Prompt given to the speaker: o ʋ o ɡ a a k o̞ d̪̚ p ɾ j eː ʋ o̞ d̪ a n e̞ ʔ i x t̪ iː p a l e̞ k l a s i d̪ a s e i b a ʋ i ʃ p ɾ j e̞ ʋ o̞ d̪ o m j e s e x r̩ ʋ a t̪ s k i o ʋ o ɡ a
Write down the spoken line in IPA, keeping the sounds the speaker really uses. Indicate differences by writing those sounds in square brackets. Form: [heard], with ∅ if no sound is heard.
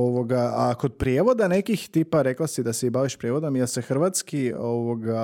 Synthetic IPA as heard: o ʋ o ɡ a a k o̞ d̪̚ p ɾ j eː ʋ o̞ d̪ a n e̞ [k] i x t̪ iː p a [ɾ] e̞ k l a s i d̪ a s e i b a ʋ i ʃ p ɾ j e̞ ʋ o̞ d̪ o m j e s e x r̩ ʋ a t̪ s k i o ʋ o ɡ a